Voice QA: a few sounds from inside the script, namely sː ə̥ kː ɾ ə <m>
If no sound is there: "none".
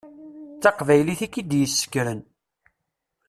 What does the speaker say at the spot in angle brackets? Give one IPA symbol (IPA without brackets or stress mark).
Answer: n